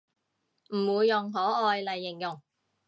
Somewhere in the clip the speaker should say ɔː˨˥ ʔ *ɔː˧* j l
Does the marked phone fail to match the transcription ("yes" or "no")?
no